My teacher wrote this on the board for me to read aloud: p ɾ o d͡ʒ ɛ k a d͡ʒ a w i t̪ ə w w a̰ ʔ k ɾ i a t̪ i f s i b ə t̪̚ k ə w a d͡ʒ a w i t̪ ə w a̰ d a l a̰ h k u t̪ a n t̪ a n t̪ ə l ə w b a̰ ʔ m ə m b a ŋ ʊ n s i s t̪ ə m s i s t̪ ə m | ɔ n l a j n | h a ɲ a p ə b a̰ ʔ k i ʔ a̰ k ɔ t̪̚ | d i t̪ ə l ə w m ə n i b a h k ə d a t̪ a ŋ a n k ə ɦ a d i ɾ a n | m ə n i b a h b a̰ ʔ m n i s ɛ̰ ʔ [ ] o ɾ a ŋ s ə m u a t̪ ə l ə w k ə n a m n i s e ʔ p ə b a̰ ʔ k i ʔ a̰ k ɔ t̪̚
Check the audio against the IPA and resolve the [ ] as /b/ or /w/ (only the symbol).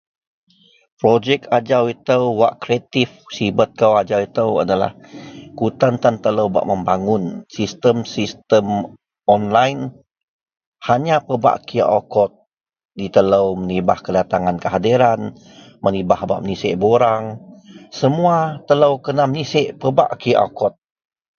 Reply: b